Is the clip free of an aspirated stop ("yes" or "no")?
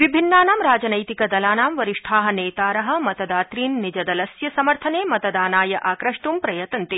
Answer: no